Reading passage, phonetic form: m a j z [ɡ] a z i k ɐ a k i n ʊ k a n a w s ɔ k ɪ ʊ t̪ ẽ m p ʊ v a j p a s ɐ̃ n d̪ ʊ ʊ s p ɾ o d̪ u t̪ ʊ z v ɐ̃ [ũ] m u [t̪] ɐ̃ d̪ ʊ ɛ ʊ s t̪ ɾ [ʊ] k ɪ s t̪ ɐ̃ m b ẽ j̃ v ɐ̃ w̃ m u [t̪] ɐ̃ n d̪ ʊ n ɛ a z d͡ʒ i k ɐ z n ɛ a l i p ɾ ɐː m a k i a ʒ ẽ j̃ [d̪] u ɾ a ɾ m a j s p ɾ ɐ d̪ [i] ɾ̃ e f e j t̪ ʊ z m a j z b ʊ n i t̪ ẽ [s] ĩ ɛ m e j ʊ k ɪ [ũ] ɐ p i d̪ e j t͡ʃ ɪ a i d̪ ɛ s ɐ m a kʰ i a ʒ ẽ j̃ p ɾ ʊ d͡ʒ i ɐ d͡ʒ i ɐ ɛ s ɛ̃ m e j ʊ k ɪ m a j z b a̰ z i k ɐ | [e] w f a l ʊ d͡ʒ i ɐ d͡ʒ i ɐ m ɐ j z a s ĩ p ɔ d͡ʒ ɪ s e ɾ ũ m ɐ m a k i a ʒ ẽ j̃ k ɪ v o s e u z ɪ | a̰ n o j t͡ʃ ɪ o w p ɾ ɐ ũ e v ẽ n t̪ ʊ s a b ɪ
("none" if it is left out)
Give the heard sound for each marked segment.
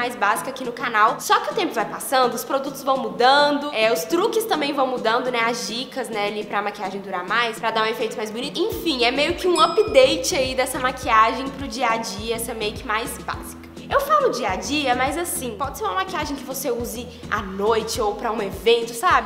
b, w̃, d̪, u, d̪, d̪, a, f, ũ, e

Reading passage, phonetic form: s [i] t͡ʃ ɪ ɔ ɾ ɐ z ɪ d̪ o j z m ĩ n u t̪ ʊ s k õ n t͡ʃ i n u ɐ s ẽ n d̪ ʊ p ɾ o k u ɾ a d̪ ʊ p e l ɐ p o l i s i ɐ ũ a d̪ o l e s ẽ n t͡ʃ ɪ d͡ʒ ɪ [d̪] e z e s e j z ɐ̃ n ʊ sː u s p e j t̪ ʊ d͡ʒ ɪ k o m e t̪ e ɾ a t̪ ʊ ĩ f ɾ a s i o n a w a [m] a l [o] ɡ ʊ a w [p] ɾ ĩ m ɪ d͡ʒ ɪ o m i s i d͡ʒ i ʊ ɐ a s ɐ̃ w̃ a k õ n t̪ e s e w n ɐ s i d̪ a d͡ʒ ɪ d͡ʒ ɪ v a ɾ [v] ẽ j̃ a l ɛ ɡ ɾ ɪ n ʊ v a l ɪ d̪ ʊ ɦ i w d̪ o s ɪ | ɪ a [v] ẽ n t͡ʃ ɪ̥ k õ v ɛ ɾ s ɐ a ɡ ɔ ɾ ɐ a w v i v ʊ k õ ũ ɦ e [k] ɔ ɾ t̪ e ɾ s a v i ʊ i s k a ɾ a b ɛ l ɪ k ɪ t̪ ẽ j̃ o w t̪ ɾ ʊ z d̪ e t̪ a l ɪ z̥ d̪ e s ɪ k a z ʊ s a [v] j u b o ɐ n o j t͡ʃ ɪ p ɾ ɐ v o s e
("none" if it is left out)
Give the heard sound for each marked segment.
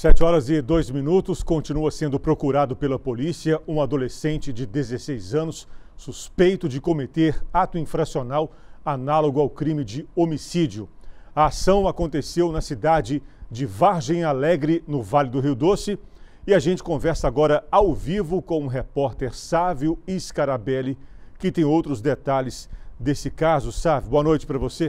ɛ, d̪, n, o, k, ʒ, ʒ, p, v

